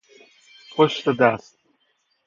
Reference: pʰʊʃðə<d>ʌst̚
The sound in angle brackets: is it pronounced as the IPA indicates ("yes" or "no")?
yes